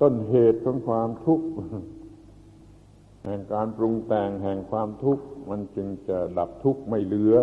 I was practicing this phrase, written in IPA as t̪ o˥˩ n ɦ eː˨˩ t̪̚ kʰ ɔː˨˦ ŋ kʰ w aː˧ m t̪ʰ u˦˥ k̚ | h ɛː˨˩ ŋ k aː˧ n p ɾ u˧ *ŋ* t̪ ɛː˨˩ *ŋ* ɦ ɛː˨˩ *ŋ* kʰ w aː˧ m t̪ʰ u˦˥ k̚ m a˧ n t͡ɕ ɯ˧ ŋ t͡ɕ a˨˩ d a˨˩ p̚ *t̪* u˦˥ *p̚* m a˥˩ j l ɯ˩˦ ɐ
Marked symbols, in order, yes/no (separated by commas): yes, yes, yes, no, no